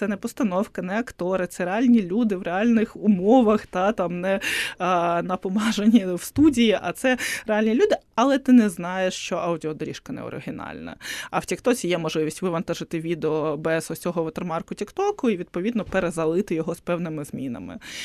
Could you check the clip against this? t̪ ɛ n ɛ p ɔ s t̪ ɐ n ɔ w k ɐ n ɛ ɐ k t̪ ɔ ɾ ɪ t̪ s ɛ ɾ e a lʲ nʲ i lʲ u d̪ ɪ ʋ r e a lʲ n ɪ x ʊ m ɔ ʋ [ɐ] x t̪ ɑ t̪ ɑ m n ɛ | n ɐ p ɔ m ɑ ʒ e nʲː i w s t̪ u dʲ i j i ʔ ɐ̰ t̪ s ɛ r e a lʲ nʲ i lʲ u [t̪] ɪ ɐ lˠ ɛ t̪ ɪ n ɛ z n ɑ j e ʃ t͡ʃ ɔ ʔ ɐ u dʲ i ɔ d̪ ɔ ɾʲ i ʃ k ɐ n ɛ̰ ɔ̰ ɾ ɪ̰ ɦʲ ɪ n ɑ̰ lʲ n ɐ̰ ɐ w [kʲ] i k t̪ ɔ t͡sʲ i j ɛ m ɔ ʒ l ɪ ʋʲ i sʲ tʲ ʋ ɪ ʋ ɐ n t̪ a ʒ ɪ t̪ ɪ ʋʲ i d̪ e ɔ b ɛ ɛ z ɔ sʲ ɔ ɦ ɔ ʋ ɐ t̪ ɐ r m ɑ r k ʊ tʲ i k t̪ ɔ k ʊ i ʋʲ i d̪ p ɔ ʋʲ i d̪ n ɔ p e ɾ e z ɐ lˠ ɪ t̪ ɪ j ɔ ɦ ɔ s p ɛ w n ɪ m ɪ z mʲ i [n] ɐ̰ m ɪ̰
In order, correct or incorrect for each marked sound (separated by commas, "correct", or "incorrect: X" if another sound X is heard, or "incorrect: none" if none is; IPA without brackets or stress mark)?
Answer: correct, incorrect: d̪, incorrect: tʲ, correct